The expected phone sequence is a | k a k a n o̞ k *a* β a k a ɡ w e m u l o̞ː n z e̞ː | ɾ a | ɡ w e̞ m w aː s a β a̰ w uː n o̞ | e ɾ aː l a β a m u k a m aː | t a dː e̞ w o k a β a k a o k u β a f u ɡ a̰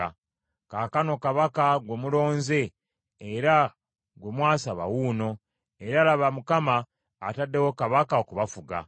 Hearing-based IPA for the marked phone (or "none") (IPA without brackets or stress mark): a